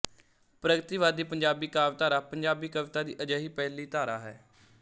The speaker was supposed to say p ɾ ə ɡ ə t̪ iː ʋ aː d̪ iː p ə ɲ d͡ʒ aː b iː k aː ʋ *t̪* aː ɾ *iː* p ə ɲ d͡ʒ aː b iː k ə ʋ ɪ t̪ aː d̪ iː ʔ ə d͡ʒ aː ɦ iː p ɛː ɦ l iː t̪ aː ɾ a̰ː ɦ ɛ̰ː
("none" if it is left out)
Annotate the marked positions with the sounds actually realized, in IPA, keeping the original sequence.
t̪, aː

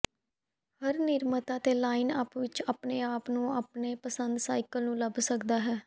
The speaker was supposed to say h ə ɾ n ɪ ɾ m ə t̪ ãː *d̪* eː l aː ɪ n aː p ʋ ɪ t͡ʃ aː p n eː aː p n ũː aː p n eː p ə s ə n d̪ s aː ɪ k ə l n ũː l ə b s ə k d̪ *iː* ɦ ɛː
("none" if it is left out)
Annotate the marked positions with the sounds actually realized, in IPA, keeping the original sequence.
t̪, aː

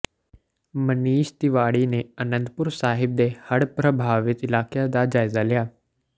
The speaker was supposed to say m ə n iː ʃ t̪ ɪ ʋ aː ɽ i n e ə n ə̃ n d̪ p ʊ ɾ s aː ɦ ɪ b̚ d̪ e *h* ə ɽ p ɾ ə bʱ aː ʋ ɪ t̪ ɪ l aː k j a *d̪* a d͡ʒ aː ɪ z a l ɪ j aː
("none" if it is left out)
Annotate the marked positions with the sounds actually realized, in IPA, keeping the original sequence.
h, d̪

